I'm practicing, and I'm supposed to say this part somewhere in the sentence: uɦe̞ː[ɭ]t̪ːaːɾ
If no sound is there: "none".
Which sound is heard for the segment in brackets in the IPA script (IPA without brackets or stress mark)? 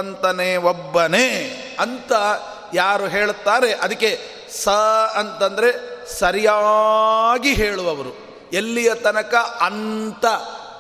ɭ